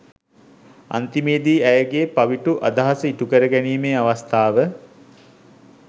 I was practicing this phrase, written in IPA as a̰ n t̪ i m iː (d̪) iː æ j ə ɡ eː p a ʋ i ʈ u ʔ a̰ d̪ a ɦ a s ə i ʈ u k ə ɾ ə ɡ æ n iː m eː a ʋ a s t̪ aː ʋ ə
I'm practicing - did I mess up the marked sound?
no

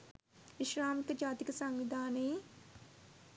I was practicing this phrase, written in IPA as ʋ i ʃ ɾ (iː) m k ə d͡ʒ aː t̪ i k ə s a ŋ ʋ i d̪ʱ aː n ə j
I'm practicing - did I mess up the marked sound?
yes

